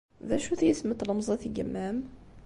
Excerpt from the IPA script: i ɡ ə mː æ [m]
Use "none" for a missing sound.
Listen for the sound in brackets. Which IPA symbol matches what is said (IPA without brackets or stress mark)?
m